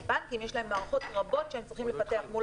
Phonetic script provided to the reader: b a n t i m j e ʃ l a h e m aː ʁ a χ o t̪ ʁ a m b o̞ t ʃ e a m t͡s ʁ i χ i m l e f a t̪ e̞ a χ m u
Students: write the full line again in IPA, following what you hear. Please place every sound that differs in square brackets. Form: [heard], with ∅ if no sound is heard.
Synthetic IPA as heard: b a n [k] i m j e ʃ l a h e m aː ʁ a χ o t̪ ʁ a [∅] b o̞ t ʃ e [e] m t͡s ʁ i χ i m l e f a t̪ e̞ a χ m u